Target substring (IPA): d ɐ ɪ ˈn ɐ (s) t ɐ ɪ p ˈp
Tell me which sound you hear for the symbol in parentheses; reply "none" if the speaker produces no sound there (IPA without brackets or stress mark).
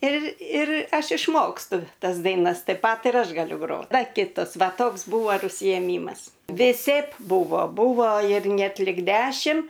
s